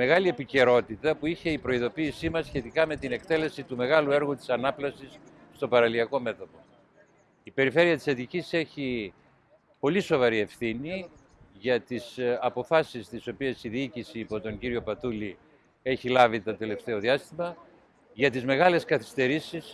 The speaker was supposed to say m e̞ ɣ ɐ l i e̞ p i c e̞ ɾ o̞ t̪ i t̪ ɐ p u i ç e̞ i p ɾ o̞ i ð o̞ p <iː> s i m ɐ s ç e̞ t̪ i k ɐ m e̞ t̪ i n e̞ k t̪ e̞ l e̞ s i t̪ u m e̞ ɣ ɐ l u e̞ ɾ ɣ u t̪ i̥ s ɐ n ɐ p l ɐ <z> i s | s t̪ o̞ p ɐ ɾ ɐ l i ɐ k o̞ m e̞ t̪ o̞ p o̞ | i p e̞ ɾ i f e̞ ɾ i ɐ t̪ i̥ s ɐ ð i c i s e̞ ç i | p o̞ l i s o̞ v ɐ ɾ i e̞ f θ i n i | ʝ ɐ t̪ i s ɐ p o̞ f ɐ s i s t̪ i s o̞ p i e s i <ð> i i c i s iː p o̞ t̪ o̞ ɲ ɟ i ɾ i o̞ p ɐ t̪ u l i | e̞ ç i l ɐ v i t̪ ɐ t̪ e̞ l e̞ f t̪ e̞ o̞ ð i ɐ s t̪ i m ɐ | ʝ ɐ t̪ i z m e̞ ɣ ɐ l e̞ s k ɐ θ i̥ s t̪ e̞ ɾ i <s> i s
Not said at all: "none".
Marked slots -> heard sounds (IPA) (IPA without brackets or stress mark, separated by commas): iː, s, ð, s